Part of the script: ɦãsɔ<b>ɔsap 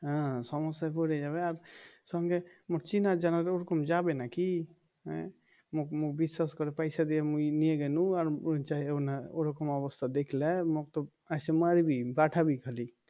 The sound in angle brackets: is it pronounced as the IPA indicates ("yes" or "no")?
no